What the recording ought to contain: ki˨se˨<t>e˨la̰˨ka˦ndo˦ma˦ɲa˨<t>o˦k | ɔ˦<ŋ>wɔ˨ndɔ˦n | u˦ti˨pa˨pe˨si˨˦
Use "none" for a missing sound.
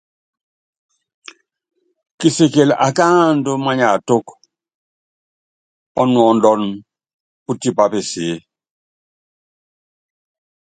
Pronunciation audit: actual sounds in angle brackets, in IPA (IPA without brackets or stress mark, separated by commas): k, t, n